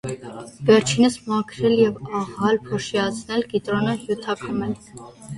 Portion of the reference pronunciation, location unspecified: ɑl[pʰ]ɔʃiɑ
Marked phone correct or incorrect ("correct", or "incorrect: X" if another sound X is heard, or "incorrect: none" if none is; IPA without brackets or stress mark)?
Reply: correct